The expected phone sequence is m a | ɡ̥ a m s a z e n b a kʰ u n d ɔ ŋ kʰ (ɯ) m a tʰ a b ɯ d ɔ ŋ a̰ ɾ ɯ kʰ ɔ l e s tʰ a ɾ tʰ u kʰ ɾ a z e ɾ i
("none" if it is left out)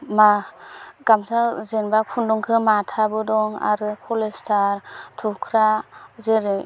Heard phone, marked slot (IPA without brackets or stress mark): ɯ